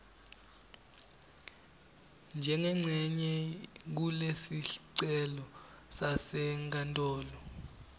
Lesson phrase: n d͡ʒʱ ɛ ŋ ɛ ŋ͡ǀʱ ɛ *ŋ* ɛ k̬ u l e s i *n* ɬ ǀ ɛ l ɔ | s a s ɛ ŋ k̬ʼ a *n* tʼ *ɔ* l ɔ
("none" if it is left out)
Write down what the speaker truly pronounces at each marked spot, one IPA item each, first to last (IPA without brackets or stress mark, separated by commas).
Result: ɲ, none, n, ɔː